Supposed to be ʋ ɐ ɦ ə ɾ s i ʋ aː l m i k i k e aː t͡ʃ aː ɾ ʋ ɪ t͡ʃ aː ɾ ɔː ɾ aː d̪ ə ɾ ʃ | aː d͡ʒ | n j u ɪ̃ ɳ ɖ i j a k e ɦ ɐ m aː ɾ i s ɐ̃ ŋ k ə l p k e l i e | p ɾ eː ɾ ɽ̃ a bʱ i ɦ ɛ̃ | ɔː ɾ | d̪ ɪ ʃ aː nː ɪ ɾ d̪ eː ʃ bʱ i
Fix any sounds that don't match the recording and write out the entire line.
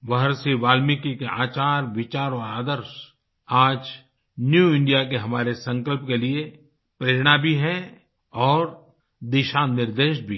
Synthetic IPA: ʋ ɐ ɦ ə ɾ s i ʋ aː l m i k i k e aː t͡ʃ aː ɾ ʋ ɪ t͡ʃ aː ɾ ɔː ɾ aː d̪ ə ɾ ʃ | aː d͡ʒ | n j u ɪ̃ ɳ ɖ i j a k e ɦ ɐ m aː ɾ e s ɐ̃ ŋ k ə l p k e l i e | p ɾ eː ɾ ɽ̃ a bʱ i ɦ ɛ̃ | ɔː ɾ | d̪ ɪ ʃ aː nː ɪ ɾ d̪ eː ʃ bʱ i